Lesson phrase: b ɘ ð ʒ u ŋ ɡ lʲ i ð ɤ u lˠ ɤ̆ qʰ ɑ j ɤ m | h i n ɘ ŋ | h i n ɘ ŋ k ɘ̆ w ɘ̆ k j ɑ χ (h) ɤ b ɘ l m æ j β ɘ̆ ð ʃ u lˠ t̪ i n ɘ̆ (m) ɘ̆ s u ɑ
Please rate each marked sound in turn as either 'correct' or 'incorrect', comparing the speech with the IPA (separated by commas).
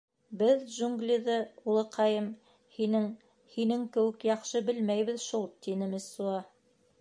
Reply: incorrect, correct